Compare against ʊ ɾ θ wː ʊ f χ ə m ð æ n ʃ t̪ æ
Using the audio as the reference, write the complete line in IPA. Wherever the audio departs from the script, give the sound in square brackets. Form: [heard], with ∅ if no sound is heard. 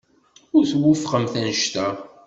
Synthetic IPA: ʊ ɾ θ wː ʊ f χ ə m [θ] æ n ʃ t̪ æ

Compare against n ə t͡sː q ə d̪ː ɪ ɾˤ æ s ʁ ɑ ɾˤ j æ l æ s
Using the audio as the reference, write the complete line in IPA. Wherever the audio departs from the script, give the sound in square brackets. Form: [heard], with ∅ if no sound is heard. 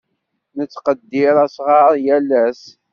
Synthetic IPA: n ə t͡sː q ə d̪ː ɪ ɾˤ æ s ʁ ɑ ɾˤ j æ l æ s

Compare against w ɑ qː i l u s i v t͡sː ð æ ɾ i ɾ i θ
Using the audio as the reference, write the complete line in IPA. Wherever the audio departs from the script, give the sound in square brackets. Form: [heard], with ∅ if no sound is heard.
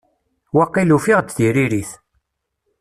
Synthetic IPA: w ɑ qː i l u [f] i [ʁ] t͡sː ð [i] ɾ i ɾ i θ

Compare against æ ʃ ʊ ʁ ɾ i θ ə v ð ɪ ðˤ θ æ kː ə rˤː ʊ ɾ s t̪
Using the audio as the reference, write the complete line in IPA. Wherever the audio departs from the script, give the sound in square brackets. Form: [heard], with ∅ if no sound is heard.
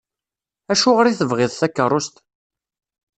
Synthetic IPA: æ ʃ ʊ ʁ ɾ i θ ə v [ʁ] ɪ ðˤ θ æ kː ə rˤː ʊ [∅] s t̪

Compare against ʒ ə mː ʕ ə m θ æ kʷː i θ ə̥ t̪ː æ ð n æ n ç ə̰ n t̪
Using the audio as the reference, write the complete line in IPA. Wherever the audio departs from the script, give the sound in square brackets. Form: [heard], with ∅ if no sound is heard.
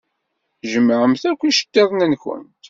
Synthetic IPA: ʒ ə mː ʕ ə m θ æ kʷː i [ʃ] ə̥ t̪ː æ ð n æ n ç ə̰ n t̪

